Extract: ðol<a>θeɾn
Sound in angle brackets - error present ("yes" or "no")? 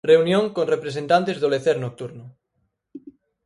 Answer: yes